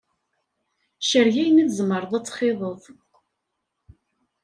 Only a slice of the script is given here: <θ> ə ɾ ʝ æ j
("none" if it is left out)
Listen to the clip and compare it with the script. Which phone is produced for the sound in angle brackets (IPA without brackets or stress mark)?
ʃ